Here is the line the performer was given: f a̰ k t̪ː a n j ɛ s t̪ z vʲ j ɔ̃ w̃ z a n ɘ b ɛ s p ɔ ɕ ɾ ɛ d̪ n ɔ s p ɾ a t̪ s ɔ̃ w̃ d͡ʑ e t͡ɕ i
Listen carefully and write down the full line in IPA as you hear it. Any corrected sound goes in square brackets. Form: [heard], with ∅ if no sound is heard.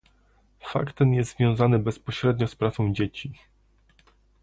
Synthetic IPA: f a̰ k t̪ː [ɛ] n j ɛ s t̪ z vʲ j ɔ̃ w̃ z a n ɘ b ɛ s p ɔ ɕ ɾ ɛ d̪ [ɲ] ɔ s p ɾ a t̪ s ɔ̃ w̃ d͡ʑ e t͡ɕ i